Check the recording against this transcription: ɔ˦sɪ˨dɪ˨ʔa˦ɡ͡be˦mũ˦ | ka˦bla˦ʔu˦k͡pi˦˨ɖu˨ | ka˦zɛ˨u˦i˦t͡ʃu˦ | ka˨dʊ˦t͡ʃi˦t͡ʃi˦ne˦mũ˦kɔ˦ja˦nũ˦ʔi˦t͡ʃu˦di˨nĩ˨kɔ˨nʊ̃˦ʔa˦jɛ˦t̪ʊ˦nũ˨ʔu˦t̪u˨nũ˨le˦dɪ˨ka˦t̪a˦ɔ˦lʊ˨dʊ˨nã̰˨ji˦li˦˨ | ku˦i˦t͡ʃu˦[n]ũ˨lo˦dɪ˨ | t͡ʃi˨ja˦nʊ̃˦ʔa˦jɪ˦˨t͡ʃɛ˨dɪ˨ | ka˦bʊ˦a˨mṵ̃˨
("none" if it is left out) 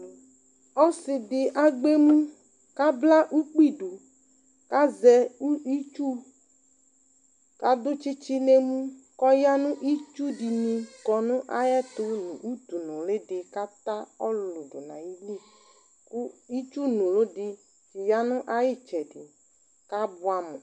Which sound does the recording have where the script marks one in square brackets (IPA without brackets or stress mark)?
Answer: n